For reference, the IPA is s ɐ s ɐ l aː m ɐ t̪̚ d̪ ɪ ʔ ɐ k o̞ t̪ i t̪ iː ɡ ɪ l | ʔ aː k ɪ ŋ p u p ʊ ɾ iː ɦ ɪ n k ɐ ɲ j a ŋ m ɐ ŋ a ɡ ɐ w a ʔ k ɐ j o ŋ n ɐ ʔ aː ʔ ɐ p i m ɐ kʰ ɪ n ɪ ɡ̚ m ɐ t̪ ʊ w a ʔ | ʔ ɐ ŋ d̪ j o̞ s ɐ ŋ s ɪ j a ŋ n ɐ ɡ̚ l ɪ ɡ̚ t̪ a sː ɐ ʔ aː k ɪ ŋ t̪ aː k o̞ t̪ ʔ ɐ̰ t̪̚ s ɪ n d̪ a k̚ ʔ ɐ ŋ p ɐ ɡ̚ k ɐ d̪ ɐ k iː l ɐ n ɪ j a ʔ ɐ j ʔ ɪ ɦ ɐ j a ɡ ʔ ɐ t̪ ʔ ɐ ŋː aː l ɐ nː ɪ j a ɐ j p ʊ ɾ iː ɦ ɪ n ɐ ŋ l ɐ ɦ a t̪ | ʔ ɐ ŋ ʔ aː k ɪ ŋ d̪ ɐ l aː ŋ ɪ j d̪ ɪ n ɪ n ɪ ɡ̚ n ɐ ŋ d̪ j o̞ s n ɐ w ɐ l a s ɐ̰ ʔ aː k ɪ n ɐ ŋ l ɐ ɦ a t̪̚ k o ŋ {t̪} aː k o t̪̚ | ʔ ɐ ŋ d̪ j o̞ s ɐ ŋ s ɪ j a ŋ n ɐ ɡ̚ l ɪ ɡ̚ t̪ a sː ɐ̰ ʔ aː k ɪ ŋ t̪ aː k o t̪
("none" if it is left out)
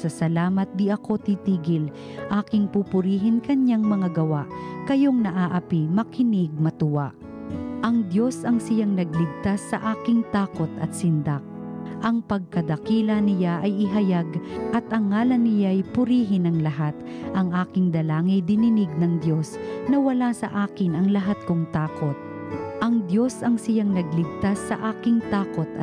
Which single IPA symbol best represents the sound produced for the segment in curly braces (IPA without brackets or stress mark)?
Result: t̪